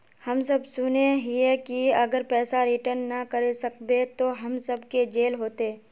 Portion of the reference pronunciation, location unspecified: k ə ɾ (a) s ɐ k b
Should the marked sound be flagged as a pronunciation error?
yes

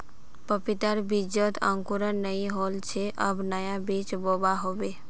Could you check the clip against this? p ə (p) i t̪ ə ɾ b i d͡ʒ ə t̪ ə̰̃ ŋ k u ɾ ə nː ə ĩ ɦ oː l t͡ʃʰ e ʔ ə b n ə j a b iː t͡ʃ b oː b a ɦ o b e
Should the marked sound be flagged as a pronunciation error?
no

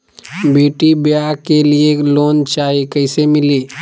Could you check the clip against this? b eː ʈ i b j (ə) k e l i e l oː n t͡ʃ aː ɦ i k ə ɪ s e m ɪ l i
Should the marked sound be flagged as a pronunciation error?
yes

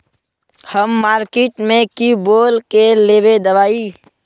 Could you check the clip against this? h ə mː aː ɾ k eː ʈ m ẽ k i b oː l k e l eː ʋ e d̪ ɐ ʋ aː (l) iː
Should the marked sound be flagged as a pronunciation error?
yes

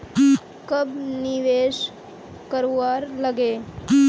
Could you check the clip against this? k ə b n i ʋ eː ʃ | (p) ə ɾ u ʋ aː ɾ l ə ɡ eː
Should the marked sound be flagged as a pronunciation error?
yes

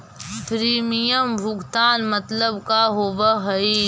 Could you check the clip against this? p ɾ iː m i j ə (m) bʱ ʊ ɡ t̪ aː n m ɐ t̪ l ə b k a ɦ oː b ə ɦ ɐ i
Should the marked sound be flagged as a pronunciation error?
no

